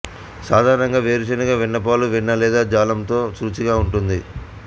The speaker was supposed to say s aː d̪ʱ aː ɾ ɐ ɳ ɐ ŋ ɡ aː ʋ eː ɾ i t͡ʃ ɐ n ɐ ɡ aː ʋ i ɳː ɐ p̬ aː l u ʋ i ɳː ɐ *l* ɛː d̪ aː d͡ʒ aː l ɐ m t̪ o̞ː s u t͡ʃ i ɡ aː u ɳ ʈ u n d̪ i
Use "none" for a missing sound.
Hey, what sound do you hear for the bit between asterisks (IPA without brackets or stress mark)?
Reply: l